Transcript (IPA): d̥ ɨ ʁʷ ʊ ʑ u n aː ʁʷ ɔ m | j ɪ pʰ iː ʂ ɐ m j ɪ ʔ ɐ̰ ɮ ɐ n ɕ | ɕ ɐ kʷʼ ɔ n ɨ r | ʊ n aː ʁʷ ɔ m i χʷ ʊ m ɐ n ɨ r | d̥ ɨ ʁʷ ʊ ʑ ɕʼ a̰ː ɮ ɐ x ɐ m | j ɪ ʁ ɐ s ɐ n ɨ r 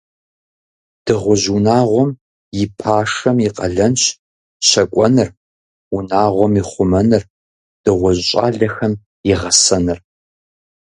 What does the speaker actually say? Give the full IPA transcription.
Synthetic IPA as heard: d̥ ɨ ʁʷ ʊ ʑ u n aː ʁʷ ɔ m | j ɪ pʰ aː ʂ ɐ m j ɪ q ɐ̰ ɮ ɐ n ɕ | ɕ ɐ kʷʼ ɔ n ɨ r | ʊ n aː ʁʷ ɔ m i χʷ ʊ m ɐ n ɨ r | d̥ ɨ ʁʷ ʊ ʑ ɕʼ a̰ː ɮ ɐ x ɐ m | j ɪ ʁ ɐ s ɐ n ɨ r